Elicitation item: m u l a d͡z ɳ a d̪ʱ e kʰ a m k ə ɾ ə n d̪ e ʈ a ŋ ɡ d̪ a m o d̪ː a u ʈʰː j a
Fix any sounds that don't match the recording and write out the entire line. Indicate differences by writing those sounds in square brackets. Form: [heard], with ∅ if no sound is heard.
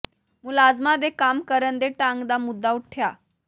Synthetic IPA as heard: m u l a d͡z [m] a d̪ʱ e [k] a m k ə ɾ ə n d̪ e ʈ a ŋ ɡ d̪ a m [u] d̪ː a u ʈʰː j a